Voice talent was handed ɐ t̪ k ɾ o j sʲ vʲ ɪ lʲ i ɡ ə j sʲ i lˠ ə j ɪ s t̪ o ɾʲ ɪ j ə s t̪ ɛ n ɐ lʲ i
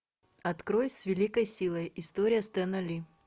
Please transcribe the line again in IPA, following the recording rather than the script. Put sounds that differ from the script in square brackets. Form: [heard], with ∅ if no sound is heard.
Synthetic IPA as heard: ɐ t̪ k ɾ o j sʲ vʲ ɪ lʲ i [k] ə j sʲ i lˠ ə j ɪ s t̪ o ɾʲ ɪ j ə s t̪ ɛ n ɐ lʲ i